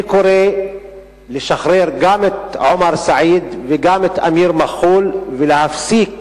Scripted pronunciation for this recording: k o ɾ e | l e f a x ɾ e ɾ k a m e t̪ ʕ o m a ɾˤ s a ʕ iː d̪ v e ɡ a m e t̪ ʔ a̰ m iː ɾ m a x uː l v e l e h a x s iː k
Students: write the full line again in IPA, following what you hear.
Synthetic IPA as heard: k o ɾ e | l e ʃ a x ɾ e ɾ ɡ a m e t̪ ʕ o m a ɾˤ s a ʕ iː d̪ v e ɡ a m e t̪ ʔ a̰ m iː ɾ m a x uː l v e l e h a f s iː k